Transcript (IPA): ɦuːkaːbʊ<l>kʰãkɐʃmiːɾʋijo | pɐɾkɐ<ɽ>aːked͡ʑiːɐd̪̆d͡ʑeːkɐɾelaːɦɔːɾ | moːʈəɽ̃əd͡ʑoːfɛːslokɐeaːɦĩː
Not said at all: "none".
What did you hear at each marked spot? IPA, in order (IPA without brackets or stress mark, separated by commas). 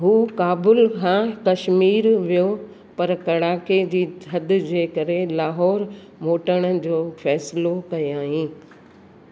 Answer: l, ɽ